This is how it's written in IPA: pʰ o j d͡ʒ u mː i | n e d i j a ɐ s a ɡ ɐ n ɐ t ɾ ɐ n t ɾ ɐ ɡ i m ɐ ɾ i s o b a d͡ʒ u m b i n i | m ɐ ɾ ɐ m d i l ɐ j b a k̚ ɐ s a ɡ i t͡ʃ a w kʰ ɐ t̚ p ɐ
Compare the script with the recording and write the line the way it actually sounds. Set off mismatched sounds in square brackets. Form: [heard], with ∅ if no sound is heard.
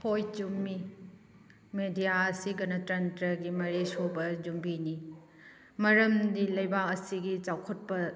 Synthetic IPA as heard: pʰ o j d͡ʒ u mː i | [m] e d i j a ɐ s [i] ɡ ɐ n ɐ t ɾ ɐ n t ɾ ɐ ɡ i m ɐ ɾ [e] s o b [ɐ] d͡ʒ u m b i n i | m ɐ ɾ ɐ m d i l ɐ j b a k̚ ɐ s [i] ɡ i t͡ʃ a w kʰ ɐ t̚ p ɐ